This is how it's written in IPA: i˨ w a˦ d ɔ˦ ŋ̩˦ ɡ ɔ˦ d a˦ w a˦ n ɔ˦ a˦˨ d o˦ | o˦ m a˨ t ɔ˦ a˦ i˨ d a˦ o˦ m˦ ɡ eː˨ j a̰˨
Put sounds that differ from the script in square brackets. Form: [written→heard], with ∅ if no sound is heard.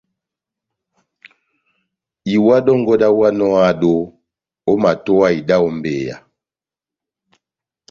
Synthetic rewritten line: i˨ w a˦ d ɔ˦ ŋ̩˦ ɡ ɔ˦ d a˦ w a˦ n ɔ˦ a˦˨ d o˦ | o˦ m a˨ t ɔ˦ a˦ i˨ d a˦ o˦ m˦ [ɡ→b] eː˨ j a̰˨